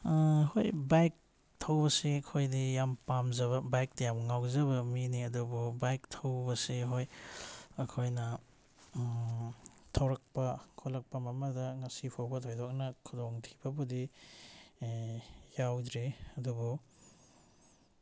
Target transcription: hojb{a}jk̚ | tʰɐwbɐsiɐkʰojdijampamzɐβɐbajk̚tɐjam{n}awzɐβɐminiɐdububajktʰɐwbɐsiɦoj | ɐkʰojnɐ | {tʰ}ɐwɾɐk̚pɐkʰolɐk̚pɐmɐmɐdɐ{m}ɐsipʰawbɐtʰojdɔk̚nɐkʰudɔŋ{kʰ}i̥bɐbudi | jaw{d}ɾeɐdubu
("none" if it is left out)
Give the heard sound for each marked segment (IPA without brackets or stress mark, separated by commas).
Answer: a, ŋ, tʰ, ŋ, tʰ, d